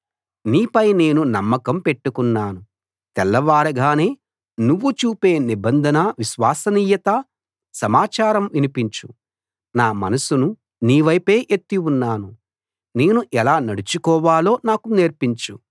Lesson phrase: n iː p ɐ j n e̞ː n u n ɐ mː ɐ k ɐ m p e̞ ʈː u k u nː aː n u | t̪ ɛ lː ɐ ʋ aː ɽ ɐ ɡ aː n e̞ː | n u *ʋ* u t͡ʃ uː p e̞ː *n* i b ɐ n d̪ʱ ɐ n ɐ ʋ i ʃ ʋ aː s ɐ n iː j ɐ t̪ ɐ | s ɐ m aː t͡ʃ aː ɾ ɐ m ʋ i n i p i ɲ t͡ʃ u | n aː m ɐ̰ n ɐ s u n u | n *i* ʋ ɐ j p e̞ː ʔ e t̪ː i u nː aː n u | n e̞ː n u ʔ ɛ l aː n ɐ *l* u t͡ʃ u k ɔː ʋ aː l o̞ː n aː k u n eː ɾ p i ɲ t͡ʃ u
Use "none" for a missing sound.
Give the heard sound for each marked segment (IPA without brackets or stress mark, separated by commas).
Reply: ʋː, n, iː, ɽ